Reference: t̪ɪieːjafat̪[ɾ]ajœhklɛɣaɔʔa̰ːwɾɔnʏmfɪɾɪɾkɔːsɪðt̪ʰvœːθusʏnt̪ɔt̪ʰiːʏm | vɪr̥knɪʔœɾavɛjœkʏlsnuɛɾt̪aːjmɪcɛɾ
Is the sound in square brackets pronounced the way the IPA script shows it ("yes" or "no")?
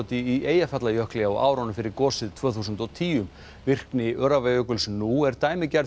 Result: no